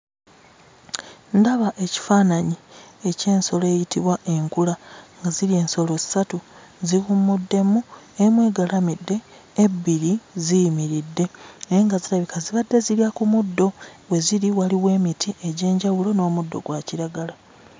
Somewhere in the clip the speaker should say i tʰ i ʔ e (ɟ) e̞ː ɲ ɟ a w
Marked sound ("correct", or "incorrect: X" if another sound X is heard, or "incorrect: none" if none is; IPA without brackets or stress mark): correct